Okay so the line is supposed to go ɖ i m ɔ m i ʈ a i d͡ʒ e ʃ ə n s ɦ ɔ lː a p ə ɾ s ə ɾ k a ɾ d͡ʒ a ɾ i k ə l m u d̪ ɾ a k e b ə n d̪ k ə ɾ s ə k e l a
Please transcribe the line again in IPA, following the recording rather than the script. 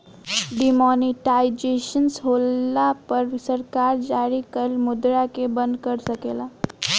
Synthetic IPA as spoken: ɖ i m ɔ n i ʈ a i d͡ʒ e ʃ ə n s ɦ o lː a p ə ɾ s ə ɾ k a ɾ d͡ʒ a ɾ i k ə l m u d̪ ɾ a k e b ə n d̪ k ə ɾ s ə k e l a